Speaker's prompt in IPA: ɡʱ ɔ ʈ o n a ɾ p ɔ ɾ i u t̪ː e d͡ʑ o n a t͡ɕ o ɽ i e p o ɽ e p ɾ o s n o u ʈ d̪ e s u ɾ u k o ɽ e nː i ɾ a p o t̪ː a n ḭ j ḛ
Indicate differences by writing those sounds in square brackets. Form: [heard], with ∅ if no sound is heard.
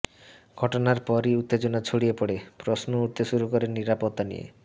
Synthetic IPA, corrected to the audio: ɡʱ ɔ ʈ o n a ɾ p ɔ ɾ i u t̪ː e d͡ʑ o n a [t͡ɕʰ] o ɽ i e p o ɽ e p ɾ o s n o u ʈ [t̪] e [ʃ] u ɾ u k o [ɾ] e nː i ɾ a p o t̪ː a n ḭ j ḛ